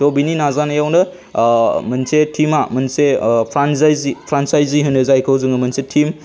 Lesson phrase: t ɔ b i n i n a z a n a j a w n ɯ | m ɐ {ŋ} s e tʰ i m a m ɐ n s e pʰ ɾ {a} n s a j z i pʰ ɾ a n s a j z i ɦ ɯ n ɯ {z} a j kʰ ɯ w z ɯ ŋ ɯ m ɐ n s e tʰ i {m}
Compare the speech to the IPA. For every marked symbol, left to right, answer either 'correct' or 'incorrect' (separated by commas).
incorrect, correct, correct, correct